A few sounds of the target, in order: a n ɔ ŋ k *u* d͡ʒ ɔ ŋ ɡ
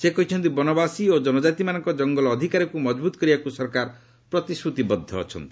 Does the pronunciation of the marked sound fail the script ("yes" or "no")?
yes